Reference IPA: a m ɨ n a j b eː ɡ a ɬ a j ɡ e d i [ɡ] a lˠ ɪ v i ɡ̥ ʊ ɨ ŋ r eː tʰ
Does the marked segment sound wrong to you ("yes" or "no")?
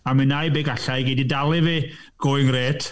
yes